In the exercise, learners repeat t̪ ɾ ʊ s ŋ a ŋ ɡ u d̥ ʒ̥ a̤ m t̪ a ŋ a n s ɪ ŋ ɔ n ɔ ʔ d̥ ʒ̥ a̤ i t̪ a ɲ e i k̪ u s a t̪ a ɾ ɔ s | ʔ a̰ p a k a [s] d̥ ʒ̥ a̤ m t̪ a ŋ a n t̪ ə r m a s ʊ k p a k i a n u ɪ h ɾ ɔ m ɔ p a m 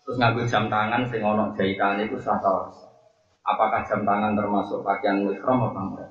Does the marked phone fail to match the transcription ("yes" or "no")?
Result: yes